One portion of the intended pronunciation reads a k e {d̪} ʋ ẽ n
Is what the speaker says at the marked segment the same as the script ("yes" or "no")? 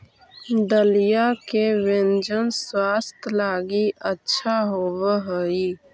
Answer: no